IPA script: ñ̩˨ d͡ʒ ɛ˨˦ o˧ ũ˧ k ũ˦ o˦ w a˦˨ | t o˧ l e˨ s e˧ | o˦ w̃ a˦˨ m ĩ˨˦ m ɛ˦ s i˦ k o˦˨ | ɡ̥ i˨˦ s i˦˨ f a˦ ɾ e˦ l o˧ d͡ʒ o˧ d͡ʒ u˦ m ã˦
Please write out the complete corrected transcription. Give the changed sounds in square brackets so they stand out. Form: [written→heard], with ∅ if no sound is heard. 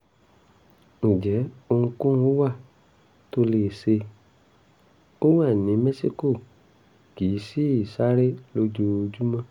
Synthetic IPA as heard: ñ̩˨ d͡ʒ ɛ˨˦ o˧ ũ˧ k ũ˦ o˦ w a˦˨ | t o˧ l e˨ s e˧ | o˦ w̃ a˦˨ [m→n] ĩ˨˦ m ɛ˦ s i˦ k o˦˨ | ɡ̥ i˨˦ s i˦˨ [f→s] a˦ ɾ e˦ l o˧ d͡ʒ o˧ d͡ʒ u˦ m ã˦

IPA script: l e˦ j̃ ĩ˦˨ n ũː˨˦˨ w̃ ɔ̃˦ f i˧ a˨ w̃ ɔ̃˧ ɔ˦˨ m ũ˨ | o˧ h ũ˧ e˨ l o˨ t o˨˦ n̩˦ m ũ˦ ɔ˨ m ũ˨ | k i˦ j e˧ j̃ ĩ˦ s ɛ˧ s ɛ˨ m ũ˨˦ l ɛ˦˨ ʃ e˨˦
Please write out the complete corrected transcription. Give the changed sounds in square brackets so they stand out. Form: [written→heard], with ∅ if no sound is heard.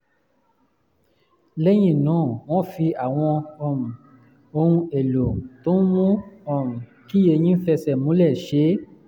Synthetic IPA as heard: l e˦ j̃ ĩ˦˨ n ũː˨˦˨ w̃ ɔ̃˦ f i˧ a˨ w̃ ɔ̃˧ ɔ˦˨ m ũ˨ | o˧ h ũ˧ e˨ l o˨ t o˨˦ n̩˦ m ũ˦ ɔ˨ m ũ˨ | k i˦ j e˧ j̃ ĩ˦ [s→f] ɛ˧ s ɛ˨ m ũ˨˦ l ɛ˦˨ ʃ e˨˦

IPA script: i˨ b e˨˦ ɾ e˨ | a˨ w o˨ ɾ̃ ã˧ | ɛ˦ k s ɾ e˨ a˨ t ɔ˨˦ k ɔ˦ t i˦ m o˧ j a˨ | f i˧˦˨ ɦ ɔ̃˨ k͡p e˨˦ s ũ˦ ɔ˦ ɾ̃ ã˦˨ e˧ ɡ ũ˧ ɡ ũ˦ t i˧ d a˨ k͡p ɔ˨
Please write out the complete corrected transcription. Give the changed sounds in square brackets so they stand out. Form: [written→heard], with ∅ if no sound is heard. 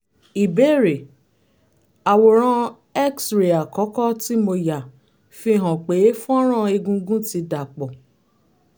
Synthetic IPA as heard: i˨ b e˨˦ ɾ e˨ | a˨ w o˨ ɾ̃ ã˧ | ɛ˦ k s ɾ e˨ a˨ [t→k] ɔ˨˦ k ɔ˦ t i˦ m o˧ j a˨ | f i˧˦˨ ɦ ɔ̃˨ k͡p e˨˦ [s→f] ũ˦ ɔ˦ ɾ̃ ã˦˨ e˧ ɡ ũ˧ ɡ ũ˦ t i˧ d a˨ k͡p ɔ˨

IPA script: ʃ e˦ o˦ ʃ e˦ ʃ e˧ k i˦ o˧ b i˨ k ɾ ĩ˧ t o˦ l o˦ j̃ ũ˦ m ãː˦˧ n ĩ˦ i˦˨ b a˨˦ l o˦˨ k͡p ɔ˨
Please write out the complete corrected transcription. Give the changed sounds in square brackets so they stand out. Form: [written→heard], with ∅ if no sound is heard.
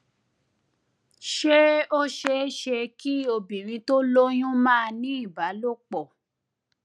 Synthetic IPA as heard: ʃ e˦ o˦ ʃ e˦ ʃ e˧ k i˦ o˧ b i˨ [k→∅] ɾ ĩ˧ t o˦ l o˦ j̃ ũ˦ m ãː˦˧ n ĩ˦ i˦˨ b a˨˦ l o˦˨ k͡p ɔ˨

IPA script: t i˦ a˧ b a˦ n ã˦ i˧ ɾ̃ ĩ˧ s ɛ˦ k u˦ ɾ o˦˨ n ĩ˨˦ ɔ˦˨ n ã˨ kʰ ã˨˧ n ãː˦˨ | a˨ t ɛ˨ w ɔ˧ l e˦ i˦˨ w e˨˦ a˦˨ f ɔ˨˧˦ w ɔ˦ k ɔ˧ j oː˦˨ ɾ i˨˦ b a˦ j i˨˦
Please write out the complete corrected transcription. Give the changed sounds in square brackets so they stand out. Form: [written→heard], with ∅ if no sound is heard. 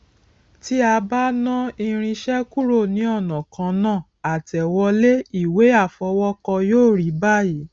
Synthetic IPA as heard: t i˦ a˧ b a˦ n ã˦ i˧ ɾ̃ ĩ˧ [s→ʃ] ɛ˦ k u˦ ɾ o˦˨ n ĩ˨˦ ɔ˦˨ n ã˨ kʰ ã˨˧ n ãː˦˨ | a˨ t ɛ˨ w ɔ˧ l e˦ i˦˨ w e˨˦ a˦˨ f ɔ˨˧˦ w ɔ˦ k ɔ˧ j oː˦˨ ɾ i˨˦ b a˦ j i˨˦

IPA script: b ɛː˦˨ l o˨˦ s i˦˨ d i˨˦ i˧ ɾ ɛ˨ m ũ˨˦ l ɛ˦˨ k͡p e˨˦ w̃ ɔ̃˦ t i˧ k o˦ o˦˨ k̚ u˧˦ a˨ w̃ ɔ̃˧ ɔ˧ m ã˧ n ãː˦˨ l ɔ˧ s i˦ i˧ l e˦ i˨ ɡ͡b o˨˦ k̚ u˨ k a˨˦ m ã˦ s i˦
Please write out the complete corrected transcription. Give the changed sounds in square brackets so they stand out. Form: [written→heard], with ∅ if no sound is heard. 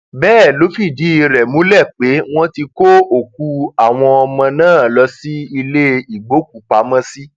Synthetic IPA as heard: b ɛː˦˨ l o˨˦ [s→f] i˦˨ d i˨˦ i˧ ɾ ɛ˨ m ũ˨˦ l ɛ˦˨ k͡p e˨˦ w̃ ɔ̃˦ t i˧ k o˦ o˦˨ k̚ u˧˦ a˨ w̃ ɔ̃˧ ɔ˧ m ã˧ n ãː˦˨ l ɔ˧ s i˦ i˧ l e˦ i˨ ɡ͡b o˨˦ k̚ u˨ [k→k͡p] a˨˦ m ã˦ s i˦

